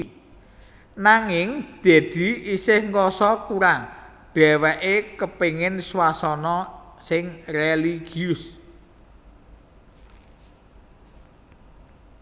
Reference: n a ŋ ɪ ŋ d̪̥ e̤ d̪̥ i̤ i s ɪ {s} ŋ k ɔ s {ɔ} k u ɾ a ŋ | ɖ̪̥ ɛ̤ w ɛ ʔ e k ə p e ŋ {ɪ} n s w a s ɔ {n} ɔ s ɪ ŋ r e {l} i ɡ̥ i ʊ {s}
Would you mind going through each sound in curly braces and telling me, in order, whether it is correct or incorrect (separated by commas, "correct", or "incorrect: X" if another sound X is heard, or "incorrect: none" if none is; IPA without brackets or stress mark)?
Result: incorrect: h, correct, correct, correct, correct, correct